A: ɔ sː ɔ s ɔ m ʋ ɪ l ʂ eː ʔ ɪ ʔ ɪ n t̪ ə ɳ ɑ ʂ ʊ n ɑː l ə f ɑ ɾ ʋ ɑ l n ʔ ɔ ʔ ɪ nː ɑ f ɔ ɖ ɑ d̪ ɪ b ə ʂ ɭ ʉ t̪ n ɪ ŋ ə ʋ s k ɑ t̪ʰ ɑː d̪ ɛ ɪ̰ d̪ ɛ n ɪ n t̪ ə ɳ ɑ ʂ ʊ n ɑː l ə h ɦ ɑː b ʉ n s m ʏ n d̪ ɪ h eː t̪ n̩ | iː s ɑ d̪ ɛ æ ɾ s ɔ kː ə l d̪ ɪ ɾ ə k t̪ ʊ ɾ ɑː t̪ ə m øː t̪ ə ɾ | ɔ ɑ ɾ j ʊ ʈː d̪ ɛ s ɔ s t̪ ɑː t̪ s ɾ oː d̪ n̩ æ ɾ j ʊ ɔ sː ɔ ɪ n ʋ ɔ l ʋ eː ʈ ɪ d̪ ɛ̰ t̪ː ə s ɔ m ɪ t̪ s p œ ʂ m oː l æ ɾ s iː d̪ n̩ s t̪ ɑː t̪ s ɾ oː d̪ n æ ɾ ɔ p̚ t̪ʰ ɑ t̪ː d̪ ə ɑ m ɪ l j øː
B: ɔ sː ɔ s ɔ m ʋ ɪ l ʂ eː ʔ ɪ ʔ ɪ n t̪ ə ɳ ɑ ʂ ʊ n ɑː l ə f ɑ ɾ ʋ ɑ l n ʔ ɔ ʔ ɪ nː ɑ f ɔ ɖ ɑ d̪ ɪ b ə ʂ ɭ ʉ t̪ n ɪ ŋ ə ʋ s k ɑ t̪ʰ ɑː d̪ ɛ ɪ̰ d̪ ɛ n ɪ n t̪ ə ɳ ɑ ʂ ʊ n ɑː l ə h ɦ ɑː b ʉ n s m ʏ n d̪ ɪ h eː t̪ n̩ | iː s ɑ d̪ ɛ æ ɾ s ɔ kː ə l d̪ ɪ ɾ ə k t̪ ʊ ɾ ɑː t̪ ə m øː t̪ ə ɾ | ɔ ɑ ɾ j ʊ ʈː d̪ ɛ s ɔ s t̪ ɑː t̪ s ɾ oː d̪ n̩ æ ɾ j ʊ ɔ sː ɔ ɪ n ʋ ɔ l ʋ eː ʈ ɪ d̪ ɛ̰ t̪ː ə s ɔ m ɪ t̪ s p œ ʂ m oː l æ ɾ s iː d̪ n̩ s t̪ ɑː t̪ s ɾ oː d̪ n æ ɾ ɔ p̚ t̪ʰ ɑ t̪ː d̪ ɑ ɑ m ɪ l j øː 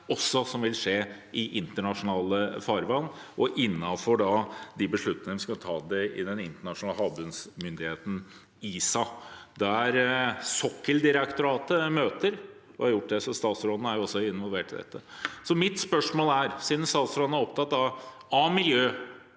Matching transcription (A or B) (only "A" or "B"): B